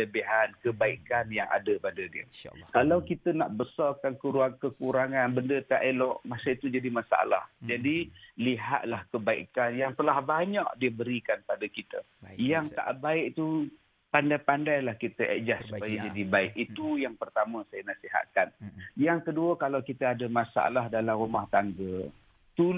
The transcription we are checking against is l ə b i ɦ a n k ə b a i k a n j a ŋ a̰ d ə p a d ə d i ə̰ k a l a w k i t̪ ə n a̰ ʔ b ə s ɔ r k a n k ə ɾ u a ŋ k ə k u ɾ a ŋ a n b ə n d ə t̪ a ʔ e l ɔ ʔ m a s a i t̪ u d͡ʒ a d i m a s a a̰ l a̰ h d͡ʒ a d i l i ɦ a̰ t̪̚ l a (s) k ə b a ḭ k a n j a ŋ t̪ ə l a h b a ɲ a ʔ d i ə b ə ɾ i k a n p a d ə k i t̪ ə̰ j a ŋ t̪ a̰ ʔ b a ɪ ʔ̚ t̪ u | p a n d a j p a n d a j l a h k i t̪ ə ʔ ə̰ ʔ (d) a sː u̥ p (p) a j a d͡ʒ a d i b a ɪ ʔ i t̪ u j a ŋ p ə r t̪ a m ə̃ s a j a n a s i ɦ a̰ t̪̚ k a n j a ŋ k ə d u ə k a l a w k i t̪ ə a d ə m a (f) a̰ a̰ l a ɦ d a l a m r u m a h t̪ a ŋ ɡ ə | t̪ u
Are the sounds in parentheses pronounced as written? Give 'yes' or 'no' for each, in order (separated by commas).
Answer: no, no, yes, no